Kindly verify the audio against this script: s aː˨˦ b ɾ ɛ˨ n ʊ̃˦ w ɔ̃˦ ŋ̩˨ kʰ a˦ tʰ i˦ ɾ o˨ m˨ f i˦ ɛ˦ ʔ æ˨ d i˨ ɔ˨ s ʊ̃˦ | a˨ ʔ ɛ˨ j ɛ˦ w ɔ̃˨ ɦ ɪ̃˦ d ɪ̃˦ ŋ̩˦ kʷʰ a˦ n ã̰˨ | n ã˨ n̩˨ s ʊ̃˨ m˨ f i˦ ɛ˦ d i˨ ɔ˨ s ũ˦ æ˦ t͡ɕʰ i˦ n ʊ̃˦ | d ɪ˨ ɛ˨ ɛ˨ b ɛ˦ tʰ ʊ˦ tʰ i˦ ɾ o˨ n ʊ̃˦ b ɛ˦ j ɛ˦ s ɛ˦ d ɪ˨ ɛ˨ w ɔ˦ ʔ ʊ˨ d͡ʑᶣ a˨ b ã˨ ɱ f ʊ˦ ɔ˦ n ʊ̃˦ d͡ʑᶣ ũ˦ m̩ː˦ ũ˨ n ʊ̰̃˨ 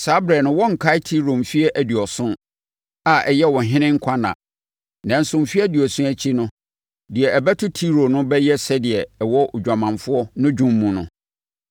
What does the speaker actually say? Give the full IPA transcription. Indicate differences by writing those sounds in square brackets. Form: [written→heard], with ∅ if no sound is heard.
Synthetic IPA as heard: s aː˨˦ b ɾ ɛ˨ n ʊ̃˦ w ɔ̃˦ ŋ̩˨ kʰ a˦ tʰ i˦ ɾ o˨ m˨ f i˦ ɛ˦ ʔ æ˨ d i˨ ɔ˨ s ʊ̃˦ | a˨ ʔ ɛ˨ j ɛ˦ w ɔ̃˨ ɦ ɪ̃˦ [d→n] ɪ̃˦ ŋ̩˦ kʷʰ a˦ n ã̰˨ | n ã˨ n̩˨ s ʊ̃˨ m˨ f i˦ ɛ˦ d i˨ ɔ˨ s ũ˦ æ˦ t͡ɕʰ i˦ n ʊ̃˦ | d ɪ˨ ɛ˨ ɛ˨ b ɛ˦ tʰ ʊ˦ tʰ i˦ ɾ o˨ n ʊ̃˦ b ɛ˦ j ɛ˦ s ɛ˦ d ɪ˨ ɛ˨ w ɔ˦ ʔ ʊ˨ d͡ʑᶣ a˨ [b→m] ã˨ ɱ f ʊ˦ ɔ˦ n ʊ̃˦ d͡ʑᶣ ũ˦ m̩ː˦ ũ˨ n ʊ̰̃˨

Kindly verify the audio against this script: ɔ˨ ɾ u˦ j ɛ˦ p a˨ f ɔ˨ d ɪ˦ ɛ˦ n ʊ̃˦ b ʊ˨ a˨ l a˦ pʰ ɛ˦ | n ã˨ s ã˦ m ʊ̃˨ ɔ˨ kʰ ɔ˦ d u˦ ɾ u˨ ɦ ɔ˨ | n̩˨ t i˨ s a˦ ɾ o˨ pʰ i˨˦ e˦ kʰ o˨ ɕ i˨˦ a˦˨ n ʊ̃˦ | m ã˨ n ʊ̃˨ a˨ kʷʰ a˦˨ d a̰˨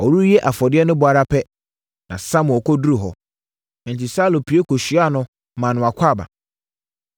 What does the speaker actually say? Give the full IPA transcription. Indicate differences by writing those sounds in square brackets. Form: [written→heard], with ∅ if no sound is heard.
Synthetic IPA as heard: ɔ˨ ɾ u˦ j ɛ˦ [p→ʔ] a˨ f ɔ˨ d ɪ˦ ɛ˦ n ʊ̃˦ b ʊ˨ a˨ [l→ɾ] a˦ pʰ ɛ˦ | n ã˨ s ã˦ m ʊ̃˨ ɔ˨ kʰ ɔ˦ d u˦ ɾ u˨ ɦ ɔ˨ | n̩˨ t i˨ s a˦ [ɾ→l] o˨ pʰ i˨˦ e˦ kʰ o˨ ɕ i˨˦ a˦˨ n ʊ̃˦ | m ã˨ n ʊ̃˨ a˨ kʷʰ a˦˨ [d→b] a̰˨

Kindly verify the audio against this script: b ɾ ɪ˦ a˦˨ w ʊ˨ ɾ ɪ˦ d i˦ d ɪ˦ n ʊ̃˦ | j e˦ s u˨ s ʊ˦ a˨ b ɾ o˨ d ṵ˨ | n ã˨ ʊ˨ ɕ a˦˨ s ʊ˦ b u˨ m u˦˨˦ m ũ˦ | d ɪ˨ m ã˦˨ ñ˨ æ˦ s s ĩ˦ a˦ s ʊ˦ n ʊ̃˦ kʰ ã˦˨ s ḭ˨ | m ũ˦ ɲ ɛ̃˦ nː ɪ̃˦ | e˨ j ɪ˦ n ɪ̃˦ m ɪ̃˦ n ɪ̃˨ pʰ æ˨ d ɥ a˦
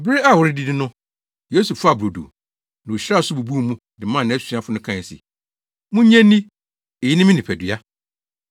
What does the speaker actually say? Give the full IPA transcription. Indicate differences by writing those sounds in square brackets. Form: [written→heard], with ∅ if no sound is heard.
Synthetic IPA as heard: b ɾ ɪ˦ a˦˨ w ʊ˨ ɾ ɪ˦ d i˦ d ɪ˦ n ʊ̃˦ | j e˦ s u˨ [s→f] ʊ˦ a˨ b ɾ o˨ d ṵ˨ | n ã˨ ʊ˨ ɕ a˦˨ s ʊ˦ b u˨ [m→b] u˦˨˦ m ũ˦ | d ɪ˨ m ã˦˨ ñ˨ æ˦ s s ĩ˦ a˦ [s→f] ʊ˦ n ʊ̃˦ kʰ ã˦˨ s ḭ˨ | m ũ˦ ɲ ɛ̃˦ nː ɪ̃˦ | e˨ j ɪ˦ n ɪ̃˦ m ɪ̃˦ n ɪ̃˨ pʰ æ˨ d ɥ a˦

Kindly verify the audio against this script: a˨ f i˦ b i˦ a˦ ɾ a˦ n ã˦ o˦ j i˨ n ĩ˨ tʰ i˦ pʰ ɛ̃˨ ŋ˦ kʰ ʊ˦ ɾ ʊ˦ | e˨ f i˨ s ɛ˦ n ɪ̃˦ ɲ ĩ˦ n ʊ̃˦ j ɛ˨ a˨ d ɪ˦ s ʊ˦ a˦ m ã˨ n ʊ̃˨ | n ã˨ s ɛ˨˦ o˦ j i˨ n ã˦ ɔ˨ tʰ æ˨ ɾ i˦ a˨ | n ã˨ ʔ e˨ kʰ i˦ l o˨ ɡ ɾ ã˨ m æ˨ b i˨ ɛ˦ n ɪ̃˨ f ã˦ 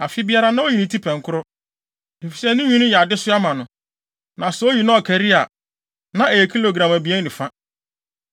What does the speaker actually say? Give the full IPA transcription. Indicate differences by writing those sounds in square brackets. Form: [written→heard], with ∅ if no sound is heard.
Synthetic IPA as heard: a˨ f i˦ b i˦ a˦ ɾ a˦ n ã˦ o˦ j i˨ n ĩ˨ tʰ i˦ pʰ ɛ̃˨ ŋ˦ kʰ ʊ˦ ɾ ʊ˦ | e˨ f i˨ s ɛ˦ n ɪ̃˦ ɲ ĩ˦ n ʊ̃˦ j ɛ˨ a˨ d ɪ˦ s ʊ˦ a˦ m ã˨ n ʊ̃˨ | n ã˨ s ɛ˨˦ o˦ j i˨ n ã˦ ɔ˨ [tʰ→kʰ] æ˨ ɾ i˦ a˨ | n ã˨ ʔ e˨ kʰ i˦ l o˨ ɡ ɾ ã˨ m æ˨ b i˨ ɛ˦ n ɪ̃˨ f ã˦

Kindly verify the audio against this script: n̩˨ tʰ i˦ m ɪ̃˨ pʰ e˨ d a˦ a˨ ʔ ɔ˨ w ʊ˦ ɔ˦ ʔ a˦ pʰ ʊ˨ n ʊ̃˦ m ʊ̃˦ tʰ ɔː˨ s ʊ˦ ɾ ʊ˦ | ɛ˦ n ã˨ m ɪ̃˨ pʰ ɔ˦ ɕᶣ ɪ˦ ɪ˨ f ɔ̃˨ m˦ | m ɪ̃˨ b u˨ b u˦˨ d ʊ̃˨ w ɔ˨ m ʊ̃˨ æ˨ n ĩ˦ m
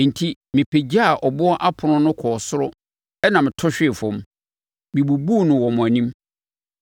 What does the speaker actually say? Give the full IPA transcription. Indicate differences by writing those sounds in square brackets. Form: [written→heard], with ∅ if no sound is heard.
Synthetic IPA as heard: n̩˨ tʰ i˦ m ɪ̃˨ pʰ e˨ [d→d͡ʑ] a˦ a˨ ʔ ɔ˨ [w→b] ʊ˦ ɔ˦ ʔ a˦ pʰ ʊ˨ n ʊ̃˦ [m→n] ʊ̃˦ [tʰ→kʰ] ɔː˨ s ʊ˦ ɾ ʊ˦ | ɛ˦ n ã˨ m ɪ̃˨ [pʰ→tʰ] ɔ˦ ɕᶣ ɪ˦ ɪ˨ f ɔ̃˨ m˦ | m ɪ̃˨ b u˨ b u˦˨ [d→n] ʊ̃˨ w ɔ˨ m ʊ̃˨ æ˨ n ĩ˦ m

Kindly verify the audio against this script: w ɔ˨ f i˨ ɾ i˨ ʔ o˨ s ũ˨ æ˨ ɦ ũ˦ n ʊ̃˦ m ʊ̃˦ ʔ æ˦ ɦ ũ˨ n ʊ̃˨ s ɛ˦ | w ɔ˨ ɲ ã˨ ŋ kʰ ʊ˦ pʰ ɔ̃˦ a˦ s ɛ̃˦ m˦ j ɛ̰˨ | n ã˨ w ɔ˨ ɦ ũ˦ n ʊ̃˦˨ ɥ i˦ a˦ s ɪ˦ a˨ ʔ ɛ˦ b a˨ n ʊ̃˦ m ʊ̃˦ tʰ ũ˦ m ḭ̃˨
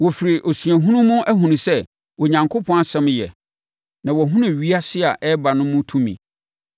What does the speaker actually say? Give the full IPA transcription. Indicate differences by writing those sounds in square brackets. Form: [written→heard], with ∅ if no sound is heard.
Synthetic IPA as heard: w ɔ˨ f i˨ ɾ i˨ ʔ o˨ s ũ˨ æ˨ ɦ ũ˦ n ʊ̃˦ m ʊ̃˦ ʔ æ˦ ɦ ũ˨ n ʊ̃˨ s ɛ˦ | w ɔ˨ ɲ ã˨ ŋ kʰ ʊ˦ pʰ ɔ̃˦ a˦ s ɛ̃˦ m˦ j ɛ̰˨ | n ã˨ w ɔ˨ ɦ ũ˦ n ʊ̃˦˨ ɥ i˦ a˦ s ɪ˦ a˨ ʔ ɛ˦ b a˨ n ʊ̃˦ m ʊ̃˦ tʰ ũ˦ m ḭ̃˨

